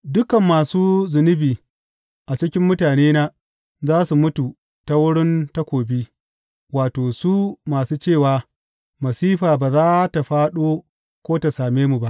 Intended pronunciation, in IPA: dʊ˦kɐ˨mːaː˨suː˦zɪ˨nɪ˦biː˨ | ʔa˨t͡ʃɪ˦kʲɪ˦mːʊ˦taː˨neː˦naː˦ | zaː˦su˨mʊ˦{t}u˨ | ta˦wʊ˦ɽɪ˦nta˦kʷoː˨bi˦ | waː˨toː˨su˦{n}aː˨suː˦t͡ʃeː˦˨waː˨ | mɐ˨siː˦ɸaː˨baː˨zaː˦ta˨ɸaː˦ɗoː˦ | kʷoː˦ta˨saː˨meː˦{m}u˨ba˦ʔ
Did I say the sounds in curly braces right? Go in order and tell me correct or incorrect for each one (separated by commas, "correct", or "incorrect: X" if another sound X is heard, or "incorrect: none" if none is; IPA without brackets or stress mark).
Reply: correct, incorrect: m, correct